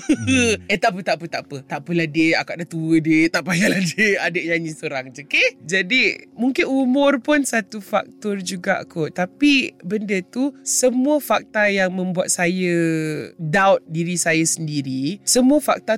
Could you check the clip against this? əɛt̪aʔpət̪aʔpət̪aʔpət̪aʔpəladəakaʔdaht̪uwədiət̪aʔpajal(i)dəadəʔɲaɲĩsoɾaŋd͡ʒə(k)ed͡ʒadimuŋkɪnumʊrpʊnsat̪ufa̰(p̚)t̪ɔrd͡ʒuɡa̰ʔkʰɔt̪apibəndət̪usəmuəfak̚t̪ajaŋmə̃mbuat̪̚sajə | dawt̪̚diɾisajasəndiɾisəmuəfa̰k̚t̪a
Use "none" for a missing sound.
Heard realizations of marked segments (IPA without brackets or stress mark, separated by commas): a, k, k̚